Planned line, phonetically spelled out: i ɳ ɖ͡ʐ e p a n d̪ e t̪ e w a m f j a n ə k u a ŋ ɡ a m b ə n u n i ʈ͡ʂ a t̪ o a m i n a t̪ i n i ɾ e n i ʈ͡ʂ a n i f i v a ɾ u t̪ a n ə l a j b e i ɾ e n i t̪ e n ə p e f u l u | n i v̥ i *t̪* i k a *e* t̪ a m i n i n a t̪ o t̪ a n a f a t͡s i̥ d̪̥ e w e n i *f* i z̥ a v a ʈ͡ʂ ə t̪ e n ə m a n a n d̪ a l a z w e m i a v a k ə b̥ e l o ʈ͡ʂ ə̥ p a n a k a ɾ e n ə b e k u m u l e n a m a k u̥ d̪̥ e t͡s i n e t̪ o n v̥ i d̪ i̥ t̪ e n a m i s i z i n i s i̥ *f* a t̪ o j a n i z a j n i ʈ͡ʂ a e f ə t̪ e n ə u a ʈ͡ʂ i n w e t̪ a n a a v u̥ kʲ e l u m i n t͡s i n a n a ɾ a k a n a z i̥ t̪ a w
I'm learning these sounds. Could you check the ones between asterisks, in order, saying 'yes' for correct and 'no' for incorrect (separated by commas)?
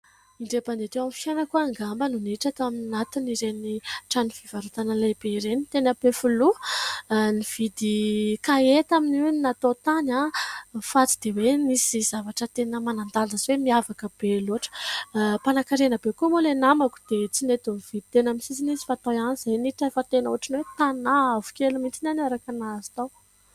no, yes, no, yes